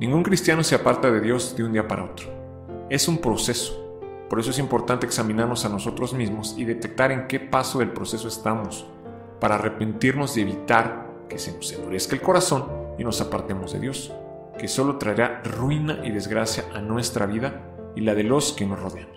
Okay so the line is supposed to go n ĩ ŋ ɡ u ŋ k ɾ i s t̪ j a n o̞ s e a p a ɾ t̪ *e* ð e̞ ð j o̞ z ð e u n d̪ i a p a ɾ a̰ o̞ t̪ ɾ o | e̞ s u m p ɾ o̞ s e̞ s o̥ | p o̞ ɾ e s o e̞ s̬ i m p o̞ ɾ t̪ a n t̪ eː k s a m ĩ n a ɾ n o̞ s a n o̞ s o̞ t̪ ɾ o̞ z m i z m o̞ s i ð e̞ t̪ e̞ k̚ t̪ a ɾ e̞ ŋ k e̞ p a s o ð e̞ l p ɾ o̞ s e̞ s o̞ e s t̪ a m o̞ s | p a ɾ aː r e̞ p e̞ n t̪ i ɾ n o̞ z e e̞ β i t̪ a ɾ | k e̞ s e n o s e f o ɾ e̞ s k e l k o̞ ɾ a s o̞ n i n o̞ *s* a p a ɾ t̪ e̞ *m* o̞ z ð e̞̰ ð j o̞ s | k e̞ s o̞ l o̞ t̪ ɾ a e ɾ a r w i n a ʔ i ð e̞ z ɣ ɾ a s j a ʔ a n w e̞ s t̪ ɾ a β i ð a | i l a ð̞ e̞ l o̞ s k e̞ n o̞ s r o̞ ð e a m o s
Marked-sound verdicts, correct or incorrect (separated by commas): incorrect, correct, correct